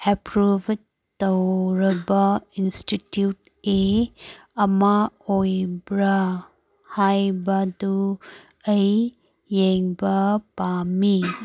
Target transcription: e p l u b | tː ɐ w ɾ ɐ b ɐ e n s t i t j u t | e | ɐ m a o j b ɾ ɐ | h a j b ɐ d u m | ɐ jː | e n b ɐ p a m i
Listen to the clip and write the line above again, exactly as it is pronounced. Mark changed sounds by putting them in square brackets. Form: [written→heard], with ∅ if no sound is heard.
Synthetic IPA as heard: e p [l→ɾ] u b | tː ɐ w ɾ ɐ b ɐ [e→i] n s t i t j u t | e | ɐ m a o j b ɾ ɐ | h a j b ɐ d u [m→∅] | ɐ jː | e [n→ŋ] b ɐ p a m i